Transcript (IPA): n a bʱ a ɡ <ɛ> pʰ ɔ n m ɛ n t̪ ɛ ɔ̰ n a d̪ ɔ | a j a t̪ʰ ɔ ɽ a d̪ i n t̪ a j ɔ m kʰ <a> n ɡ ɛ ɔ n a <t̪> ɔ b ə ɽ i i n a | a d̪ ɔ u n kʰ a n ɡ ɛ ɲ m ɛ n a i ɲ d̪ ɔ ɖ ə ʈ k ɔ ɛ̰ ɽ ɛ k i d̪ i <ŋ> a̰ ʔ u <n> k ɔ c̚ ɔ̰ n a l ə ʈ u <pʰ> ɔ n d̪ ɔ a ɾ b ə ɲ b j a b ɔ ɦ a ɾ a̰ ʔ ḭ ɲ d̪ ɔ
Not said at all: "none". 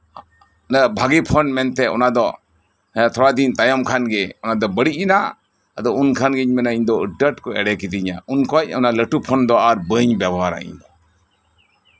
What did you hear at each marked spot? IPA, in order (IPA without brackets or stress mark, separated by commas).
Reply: i, a, d̪, ɲ, n, pʰ